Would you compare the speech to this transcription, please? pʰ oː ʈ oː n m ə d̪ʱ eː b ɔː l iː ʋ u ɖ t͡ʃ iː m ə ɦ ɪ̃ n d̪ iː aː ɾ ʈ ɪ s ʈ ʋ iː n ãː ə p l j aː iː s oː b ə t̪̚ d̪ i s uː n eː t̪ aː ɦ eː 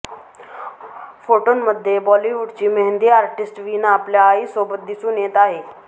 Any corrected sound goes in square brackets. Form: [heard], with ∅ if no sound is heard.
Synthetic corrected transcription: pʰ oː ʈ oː n m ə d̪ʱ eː b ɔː l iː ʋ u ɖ t͡ʃ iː m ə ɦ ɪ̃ n d̪ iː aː ɾ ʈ ɪ s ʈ ʋ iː n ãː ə p l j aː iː s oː b ə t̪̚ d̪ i s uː n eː t̪ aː ɦ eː